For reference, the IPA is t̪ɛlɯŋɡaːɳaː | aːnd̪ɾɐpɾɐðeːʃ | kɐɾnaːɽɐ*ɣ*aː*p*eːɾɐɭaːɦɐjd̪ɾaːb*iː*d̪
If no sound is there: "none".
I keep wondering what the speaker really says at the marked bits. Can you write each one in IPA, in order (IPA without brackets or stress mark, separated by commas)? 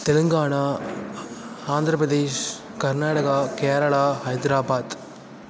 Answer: ɣ, k, aː